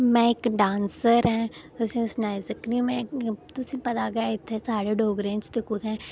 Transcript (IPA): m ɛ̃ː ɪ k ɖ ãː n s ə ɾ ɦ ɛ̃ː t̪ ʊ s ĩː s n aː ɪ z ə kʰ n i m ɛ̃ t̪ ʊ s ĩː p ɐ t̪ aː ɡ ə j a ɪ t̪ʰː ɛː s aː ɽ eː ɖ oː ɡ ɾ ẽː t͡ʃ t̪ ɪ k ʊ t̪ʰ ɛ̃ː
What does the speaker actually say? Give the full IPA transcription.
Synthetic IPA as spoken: m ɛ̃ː ɪ k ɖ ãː n s ə ɾ ɦ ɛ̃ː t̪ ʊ s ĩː s n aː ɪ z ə k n i m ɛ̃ t̪ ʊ s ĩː p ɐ t̪ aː ɡ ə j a ɪ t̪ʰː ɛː s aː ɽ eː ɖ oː ɡ ɾ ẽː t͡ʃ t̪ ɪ k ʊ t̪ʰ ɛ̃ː